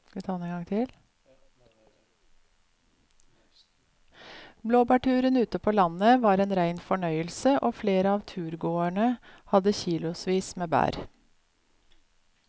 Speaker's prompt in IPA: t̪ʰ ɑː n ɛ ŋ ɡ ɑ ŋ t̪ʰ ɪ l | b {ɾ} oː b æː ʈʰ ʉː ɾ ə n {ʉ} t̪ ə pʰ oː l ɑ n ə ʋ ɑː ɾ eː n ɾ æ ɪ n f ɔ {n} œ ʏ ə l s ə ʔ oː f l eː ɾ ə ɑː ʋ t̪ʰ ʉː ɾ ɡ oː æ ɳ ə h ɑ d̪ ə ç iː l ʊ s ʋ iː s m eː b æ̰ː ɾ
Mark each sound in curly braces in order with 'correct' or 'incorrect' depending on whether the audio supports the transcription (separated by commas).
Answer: incorrect, incorrect, incorrect